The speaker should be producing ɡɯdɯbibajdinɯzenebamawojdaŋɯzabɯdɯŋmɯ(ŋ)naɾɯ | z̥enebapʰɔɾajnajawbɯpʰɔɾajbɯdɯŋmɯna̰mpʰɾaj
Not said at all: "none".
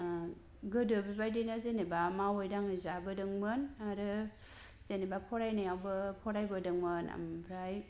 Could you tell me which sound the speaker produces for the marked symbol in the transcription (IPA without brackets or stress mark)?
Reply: none